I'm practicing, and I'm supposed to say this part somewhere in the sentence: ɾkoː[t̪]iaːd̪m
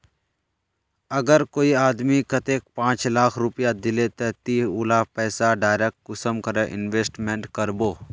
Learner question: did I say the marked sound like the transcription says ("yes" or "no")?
no